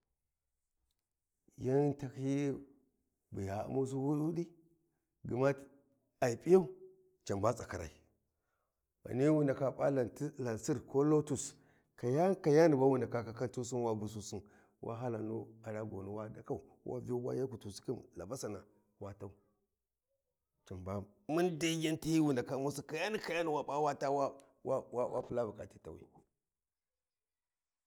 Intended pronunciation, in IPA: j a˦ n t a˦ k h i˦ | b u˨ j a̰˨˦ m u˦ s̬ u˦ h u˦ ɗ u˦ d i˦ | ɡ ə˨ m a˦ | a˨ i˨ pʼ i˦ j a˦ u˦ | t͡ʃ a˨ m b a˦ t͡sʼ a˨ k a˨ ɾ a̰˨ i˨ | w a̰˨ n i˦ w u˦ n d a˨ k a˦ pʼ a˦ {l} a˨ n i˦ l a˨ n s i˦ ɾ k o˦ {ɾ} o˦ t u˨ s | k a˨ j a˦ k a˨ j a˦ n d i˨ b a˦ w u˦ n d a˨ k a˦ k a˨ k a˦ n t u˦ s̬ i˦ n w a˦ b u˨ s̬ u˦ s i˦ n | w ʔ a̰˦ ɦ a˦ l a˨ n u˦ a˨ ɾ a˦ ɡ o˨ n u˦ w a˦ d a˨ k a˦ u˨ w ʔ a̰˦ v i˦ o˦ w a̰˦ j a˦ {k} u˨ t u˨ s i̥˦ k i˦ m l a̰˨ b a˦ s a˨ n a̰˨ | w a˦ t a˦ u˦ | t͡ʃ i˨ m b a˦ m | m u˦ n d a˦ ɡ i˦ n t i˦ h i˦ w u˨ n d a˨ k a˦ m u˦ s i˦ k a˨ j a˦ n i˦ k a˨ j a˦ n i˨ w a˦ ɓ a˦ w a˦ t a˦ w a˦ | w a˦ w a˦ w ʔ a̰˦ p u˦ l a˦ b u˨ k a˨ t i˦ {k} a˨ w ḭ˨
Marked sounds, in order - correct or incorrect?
correct, incorrect, correct, incorrect

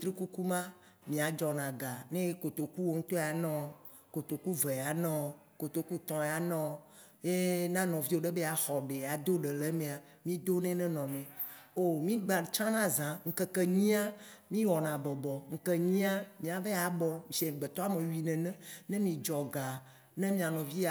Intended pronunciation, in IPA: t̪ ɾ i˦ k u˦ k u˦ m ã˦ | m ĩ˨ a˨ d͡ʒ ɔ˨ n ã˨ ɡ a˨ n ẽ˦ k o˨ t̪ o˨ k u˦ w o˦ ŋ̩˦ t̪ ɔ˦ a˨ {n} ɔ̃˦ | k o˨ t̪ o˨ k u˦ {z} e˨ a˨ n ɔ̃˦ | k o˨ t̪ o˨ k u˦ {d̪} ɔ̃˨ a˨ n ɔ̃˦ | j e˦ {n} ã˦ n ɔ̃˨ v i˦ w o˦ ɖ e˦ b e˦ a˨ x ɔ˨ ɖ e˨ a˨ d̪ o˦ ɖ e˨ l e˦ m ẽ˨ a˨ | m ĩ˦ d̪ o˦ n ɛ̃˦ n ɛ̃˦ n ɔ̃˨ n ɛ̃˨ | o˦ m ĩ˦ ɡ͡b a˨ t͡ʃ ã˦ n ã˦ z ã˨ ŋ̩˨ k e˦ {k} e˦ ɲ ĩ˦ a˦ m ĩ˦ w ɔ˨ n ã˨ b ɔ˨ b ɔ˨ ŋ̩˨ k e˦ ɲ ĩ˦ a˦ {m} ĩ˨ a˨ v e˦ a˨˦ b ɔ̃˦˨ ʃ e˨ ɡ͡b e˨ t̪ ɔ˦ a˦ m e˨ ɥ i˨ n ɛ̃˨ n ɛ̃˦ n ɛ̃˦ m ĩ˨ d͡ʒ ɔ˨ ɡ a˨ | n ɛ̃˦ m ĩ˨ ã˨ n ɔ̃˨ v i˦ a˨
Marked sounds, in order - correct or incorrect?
correct, incorrect, incorrect, correct, correct, correct

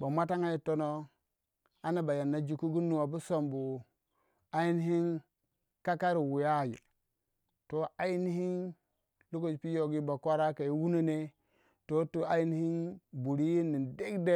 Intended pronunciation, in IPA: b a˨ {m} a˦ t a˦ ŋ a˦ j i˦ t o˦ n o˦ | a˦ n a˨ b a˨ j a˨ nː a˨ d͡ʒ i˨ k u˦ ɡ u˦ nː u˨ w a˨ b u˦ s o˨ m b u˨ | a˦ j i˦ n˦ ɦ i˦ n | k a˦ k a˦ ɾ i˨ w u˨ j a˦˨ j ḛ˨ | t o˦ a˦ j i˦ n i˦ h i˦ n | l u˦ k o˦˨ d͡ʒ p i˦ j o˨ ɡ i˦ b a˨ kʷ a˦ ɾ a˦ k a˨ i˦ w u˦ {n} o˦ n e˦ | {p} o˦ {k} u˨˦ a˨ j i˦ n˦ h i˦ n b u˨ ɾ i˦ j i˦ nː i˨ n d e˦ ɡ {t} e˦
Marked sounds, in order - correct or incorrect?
correct, correct, incorrect, incorrect, incorrect

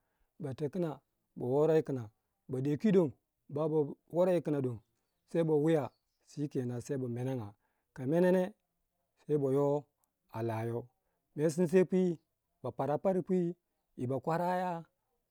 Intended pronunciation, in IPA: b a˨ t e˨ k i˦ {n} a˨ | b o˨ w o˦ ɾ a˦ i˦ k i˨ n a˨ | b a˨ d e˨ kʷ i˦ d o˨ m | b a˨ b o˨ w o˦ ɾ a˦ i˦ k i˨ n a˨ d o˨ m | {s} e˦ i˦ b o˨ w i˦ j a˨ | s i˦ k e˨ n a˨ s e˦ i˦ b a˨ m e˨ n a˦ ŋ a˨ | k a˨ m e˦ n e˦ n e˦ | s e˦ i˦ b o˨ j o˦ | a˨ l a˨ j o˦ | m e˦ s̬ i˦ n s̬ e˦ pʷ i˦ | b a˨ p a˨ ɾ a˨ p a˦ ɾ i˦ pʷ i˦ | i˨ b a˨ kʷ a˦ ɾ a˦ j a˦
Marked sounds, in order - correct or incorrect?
correct, correct

